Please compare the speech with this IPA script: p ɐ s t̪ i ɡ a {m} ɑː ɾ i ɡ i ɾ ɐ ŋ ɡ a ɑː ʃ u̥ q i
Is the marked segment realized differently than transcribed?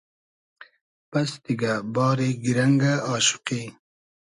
yes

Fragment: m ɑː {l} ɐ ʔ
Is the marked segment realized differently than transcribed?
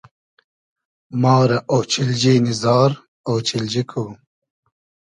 yes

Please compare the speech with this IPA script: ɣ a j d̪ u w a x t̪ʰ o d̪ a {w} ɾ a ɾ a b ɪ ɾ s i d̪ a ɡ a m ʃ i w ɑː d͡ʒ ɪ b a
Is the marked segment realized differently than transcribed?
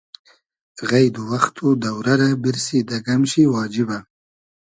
no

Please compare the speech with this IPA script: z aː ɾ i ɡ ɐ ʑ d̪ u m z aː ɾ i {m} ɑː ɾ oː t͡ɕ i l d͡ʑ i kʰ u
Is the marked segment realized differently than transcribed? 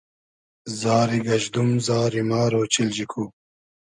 no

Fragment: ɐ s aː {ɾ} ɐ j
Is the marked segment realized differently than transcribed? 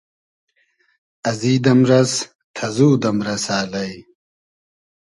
yes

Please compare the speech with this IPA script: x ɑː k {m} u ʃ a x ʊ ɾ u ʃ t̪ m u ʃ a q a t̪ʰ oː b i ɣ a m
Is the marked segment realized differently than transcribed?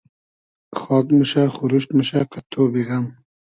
no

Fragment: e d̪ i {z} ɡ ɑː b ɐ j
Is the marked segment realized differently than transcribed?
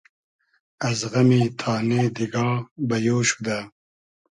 yes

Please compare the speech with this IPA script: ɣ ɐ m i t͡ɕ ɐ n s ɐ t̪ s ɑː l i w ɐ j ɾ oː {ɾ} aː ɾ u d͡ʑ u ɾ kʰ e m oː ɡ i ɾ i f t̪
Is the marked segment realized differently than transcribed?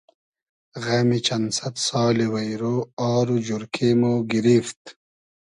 yes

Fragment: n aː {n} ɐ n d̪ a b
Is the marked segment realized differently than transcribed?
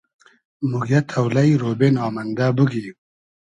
yes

